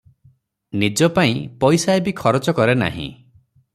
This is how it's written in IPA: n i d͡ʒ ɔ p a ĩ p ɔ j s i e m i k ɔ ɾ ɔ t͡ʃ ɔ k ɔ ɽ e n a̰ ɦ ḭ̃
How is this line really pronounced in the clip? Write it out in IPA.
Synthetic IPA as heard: n i d͡ʒ ɔ p a ĩ p ɔ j s a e b i kʰ ɔ ɾ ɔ t͡ʃ ɔ k ɔ ɾ e n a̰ ɦ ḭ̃